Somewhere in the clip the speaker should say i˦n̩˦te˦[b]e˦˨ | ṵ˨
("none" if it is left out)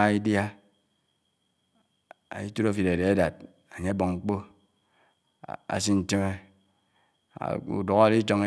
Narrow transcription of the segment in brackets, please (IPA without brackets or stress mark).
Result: m